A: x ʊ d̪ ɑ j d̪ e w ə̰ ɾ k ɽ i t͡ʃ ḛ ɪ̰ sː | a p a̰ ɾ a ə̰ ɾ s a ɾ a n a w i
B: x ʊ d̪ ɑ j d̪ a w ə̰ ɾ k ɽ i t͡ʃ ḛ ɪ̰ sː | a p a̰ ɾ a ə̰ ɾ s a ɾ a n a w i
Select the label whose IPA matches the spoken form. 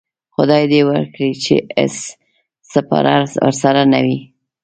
A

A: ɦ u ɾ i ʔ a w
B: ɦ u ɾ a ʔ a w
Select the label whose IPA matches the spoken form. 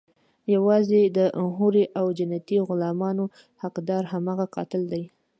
A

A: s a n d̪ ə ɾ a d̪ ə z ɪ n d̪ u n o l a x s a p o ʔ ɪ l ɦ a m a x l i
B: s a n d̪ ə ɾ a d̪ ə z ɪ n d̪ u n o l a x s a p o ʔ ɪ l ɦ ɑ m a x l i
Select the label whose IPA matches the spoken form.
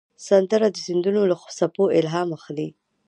B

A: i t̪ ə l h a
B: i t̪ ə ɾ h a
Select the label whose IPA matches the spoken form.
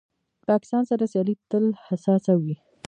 A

